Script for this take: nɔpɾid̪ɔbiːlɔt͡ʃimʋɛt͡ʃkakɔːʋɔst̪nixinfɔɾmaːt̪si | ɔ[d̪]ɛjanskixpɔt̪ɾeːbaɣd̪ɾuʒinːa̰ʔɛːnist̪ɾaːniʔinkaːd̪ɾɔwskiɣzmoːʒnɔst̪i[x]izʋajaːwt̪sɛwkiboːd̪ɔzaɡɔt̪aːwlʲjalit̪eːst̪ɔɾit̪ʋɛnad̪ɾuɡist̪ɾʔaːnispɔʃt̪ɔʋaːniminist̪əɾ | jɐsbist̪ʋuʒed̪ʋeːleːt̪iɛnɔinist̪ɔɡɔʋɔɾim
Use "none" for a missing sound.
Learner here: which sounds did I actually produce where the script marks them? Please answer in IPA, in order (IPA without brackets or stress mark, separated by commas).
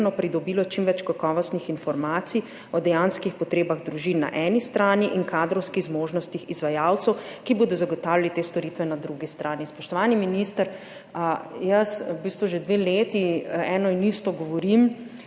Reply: d̪, x